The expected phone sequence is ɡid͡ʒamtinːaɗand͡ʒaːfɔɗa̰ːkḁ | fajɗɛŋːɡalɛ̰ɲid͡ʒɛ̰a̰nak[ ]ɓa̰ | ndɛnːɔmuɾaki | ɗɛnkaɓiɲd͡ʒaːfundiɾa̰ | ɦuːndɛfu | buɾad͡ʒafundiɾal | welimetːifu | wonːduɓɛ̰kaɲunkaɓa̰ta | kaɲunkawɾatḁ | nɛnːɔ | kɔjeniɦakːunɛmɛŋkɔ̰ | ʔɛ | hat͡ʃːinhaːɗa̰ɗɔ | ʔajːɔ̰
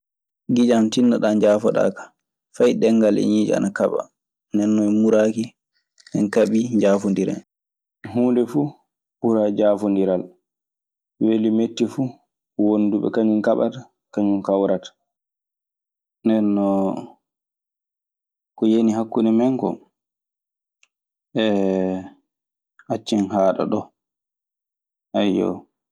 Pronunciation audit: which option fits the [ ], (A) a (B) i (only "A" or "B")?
A